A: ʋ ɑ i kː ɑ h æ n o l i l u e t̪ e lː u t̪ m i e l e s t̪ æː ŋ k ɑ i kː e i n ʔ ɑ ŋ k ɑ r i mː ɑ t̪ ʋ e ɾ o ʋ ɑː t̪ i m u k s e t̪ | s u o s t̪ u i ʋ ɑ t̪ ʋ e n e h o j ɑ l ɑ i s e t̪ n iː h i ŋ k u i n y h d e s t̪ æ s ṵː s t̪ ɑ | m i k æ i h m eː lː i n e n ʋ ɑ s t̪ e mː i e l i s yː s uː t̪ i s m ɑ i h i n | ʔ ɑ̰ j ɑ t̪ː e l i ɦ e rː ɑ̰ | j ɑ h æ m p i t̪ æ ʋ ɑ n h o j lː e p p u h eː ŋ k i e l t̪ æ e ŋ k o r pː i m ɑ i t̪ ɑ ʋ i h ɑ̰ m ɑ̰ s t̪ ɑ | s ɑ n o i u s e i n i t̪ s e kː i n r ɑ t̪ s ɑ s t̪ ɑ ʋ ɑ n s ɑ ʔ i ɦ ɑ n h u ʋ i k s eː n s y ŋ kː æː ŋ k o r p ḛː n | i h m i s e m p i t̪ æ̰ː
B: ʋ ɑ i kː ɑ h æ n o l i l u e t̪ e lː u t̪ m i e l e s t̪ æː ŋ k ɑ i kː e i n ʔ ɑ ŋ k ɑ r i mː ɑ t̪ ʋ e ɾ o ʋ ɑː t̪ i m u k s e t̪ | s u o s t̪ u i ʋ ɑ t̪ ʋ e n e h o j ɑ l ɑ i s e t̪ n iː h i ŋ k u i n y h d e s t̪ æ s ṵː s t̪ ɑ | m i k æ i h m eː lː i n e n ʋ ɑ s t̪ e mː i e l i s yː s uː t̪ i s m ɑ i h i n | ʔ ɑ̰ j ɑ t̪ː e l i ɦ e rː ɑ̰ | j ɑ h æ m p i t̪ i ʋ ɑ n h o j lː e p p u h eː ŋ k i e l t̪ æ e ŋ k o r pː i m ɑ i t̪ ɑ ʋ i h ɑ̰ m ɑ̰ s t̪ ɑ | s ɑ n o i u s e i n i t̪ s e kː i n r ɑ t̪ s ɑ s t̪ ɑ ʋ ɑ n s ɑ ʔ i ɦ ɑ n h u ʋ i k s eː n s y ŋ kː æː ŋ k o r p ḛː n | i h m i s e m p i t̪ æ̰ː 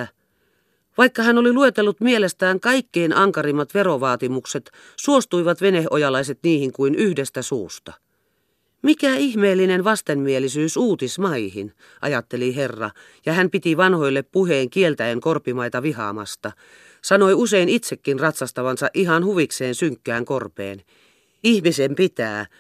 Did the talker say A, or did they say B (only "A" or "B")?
B